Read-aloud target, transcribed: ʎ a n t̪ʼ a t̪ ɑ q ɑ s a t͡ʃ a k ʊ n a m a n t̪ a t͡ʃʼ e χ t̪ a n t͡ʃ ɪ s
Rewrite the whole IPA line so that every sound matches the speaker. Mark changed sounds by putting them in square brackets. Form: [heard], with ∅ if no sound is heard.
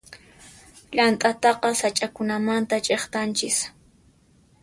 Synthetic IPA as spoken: ʎ a n t̪ʼ a t̪ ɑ q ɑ s a [t͡ʃʼ] a k ʊ n a m a n t̪ a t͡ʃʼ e χ t̪ a n t͡ʃ ɪ s